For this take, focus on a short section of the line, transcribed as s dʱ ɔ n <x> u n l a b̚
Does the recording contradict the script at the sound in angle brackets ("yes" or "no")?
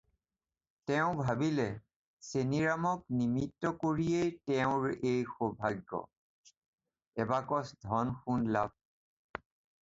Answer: no